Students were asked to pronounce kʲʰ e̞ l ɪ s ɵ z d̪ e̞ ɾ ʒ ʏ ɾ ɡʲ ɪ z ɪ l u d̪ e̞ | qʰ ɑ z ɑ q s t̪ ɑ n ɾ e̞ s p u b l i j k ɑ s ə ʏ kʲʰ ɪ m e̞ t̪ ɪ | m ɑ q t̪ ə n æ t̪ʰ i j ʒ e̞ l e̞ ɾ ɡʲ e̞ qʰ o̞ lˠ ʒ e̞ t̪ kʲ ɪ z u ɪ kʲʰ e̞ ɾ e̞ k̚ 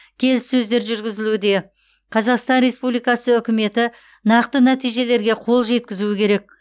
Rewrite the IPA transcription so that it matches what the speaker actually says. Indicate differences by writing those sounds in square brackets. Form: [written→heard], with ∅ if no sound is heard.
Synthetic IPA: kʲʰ e̞ l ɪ s ɵ z d̪ e̞ ɾ ʒ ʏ ɾ ɡʲ ɪ z ɪ l u d̪ e̞ | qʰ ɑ z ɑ q s t̪ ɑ n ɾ e̞ s p u b l i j k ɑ s ə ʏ [kʲʰ→kʲ] ɪ m e̞ t̪ ɪ | [m→n] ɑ q t̪ ə n æ [t̪ʰ→t̪] i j ʒ e̞ l e̞ ɾ ɡʲ e̞ qʰ o̞ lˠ ʒ e̞ t̪ kʲ ɪ z u ɪ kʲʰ e̞ ɾ e̞ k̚